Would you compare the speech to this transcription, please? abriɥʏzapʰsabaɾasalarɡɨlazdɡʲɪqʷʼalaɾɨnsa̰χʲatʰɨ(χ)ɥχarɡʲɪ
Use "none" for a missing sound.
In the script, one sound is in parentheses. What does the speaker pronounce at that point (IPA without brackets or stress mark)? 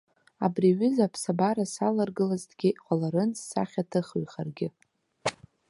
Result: χ